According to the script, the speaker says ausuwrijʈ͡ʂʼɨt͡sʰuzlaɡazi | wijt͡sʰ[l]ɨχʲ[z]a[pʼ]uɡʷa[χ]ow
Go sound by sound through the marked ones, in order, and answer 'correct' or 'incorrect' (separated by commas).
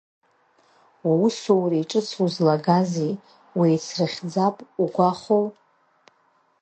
incorrect, incorrect, correct, correct